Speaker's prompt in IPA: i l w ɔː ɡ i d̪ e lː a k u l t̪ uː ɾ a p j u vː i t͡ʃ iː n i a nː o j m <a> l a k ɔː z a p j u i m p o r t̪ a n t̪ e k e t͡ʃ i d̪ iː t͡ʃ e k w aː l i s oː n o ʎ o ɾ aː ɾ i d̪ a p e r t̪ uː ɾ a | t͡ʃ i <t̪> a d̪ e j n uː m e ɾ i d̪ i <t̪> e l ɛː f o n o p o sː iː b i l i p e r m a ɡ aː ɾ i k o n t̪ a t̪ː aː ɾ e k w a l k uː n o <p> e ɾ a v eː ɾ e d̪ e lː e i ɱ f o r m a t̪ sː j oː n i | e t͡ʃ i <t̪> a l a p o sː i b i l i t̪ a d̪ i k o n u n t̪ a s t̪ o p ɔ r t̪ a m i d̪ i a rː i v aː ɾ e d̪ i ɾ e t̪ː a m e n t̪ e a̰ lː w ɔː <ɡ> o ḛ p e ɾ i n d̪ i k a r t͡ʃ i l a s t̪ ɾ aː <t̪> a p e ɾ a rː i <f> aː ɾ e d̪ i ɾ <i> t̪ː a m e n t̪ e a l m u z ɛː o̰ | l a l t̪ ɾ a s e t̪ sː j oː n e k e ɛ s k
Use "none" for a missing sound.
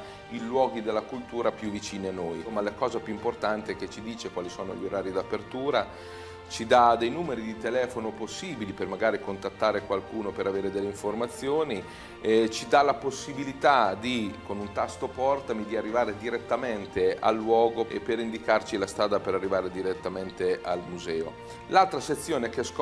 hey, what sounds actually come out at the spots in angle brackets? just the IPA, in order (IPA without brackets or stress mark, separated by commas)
a, d̪, t̪, p, d̪, ɡ, d̪, v, e